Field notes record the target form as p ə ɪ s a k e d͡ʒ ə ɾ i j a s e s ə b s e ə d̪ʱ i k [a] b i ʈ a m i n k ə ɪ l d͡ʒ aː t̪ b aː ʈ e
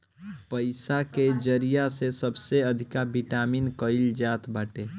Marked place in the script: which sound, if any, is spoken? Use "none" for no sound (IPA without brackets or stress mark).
a